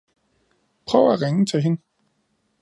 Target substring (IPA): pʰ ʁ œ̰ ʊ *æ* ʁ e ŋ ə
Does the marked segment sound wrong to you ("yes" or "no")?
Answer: no